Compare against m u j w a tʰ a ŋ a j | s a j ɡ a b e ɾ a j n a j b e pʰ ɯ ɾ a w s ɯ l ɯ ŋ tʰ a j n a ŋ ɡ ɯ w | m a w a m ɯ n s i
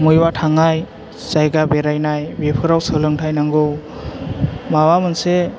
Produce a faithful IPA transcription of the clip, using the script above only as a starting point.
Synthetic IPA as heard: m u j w a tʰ a ŋ a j | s a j ɡ a b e ɾ a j n a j b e pʰ ɯ ɾ a w s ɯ l ɯ ŋ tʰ a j n a ŋ ɡ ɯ w | m a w a m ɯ n s e